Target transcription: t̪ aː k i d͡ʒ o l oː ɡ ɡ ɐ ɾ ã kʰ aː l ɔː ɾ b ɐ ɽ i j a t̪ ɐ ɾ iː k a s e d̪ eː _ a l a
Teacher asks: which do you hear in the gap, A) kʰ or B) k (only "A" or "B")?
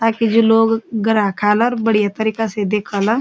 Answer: A